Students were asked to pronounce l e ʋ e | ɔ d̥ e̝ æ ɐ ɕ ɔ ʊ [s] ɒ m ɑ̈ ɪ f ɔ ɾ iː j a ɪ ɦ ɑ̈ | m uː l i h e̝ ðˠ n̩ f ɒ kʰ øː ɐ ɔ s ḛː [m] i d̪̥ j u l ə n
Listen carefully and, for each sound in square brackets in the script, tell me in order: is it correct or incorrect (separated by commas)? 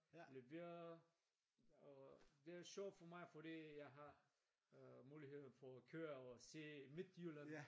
incorrect, correct